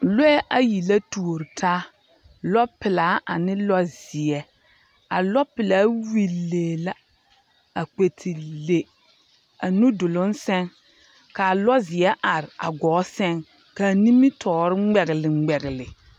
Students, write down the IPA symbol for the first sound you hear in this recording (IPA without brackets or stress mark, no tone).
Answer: l